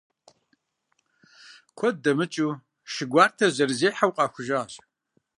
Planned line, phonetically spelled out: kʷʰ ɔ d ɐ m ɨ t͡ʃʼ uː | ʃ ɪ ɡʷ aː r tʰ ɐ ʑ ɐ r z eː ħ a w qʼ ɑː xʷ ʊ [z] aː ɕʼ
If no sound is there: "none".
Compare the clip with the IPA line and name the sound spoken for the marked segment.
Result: ʒ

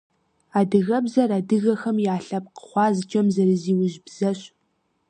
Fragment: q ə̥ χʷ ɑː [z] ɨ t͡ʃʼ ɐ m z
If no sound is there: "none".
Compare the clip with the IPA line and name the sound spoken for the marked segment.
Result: z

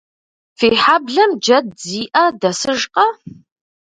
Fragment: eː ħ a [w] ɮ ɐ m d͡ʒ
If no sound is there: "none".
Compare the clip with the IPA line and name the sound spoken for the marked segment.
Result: b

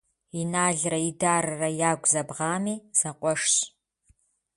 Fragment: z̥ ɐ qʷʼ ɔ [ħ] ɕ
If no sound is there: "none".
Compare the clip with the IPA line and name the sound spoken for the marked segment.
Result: ʂ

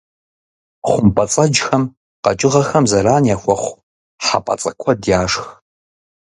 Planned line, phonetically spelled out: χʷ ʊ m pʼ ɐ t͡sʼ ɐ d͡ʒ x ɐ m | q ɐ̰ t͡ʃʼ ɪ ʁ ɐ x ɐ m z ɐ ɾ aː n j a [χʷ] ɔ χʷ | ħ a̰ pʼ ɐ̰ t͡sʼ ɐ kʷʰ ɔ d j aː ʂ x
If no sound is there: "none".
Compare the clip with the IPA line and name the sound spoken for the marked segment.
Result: xʷ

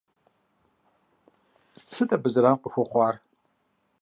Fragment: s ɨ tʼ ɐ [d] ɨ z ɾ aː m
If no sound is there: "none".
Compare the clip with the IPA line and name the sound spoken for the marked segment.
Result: b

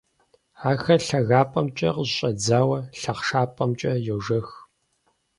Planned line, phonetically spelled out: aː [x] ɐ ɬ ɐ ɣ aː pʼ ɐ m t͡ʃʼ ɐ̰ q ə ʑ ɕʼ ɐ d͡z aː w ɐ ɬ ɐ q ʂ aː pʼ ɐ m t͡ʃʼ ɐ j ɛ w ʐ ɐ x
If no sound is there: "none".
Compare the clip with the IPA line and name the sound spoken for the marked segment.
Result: x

